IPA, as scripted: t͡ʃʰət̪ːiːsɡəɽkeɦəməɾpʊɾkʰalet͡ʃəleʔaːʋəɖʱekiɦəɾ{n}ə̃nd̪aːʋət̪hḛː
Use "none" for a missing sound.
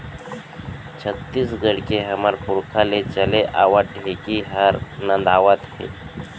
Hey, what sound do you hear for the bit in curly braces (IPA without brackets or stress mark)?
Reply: n